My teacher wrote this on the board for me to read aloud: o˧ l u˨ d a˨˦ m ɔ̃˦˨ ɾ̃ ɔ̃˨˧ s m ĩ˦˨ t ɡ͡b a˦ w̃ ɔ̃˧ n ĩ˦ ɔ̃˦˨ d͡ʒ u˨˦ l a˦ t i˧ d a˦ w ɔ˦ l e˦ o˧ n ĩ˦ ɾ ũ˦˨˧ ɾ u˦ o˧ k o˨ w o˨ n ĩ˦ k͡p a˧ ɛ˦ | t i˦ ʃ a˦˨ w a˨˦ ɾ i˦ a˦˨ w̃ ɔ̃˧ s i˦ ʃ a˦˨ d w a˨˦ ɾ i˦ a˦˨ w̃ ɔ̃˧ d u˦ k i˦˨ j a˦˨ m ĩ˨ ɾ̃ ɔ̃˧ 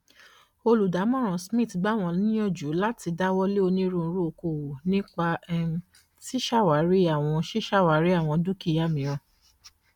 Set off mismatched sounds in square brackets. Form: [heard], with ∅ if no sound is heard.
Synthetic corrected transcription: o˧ l u˨ d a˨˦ m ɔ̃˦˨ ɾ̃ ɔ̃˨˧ s m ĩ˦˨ t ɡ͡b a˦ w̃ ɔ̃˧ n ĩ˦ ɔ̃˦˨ d͡ʒ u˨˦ l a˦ t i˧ d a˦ w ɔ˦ l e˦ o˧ n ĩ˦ ɾ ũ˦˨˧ ɾ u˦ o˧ k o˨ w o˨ n ĩ˦ k͡p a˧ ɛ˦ | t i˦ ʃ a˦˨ w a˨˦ ɾ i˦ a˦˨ w̃ ɔ̃˧ [ʃ] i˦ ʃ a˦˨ [∅] w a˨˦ ɾ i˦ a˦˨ w̃ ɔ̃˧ d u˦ k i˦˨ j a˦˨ m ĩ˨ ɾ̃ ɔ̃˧